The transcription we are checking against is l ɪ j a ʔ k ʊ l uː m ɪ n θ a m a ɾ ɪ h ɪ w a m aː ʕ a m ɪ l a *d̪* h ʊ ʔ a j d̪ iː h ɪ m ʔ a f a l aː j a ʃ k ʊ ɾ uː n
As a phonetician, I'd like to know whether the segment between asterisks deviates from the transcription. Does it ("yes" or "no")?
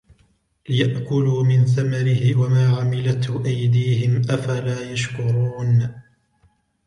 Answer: yes